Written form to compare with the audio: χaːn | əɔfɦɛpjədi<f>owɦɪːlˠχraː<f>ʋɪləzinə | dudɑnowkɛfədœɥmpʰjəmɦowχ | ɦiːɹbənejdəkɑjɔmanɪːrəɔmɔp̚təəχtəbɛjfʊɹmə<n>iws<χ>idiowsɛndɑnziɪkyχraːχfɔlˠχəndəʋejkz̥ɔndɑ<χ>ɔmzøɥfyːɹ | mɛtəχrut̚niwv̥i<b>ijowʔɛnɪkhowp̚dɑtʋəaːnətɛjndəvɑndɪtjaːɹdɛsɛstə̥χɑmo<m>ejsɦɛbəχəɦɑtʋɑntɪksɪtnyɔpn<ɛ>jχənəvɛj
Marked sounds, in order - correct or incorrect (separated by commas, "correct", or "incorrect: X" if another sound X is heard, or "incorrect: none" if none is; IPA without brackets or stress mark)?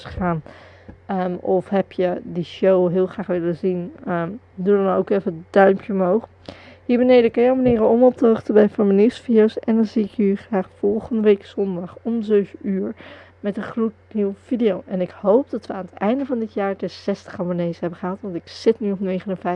incorrect: ʃ, incorrect: χ, correct, incorrect: f, correct, incorrect: d, incorrect: n, incorrect: e